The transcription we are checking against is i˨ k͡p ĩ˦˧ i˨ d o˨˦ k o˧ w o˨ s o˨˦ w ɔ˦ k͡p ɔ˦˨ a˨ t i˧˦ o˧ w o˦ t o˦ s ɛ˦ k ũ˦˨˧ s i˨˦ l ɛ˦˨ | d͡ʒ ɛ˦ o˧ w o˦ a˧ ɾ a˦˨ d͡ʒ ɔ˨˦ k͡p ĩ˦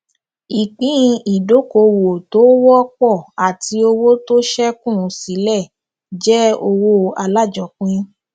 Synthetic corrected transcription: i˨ k͡p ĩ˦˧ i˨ d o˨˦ k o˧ w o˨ t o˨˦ w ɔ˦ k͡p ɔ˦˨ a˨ t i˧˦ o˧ w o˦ t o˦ ʃ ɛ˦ k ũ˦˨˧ s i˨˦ l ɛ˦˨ | d͡ʒ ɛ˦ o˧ w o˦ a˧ l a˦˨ d͡ʒ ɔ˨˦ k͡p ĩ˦